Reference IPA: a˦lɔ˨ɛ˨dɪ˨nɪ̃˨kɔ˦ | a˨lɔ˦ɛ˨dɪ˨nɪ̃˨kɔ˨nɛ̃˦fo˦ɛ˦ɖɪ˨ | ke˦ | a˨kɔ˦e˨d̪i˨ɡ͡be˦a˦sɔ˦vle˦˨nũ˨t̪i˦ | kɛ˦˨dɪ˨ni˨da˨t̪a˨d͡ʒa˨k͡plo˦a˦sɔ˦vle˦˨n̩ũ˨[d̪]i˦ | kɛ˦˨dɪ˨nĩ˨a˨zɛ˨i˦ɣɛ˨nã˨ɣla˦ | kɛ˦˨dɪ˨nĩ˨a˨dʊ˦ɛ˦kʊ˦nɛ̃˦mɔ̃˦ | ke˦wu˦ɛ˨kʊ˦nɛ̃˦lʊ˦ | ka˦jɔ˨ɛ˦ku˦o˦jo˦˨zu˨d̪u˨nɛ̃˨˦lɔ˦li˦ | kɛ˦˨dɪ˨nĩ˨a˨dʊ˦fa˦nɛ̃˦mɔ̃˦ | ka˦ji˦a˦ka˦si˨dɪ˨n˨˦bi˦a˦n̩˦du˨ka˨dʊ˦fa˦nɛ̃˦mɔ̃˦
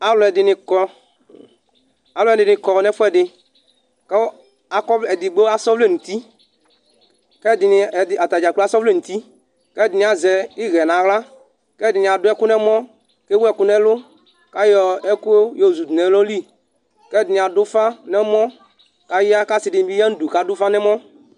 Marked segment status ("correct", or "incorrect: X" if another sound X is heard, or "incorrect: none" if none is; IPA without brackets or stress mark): incorrect: t̪